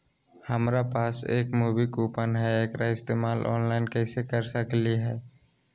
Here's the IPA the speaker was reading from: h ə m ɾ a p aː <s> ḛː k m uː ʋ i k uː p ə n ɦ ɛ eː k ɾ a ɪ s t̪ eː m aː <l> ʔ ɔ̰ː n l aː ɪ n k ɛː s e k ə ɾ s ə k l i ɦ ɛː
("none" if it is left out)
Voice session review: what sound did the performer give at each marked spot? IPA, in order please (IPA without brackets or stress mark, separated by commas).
s, l